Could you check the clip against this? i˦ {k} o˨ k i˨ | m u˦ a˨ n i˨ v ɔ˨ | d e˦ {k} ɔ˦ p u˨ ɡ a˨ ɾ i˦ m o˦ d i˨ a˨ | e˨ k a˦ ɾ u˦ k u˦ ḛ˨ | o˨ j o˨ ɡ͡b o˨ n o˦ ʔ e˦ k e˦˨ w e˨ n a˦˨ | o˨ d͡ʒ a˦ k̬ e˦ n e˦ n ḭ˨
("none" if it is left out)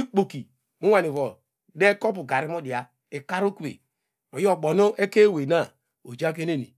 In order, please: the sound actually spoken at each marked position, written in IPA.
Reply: k͡p, k

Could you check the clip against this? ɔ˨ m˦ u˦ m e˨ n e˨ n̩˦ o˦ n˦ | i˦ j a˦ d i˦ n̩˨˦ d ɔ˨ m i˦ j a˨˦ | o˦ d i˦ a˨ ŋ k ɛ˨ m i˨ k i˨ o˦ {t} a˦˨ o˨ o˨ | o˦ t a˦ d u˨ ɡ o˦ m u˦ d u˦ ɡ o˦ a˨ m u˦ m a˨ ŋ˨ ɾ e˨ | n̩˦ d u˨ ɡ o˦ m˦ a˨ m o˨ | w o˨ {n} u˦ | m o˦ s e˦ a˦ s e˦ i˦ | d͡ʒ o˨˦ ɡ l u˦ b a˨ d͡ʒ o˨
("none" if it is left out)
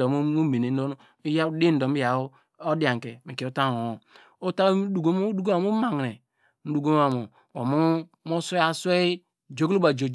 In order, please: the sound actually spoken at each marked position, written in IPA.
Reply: t, m

